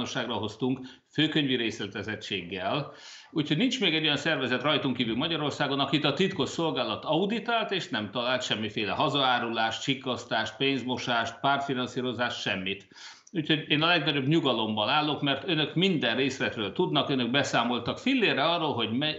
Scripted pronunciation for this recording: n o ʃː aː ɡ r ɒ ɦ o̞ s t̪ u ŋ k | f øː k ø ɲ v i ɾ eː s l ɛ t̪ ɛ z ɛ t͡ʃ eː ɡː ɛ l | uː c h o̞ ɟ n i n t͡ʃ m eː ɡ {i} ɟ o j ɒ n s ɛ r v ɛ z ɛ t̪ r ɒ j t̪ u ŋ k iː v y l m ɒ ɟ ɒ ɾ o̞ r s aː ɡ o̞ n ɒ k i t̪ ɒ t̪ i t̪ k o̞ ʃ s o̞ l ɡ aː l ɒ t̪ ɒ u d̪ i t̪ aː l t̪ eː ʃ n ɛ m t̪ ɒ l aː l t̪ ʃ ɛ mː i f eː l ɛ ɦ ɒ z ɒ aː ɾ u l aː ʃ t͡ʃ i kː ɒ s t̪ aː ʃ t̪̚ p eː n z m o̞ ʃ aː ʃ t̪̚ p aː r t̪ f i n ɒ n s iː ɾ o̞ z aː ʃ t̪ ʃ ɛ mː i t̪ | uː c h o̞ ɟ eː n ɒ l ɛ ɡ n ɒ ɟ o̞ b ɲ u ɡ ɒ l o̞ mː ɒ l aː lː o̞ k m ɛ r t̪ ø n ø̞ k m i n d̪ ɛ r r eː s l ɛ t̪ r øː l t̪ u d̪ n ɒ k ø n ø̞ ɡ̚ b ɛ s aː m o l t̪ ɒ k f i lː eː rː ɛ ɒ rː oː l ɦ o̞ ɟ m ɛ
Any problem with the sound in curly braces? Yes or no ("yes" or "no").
yes